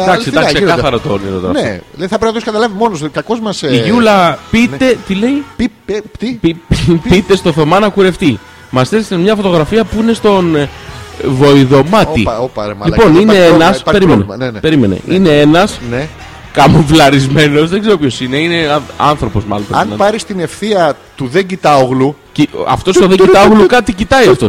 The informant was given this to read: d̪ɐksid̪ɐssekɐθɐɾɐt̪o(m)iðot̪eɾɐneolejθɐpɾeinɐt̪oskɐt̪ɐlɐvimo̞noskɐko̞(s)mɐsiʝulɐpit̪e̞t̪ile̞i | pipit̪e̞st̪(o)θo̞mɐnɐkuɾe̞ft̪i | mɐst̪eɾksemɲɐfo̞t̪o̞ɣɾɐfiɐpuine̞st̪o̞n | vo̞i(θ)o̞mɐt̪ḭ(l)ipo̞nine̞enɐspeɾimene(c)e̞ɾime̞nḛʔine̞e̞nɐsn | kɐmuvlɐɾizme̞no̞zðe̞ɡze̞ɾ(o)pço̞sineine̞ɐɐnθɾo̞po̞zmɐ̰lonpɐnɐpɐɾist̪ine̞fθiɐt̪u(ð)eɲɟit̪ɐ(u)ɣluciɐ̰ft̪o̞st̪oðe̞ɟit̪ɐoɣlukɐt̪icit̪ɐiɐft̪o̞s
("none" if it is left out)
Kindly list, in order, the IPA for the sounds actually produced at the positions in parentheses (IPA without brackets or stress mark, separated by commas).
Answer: n, z, o, ð, l, p, o, ð, o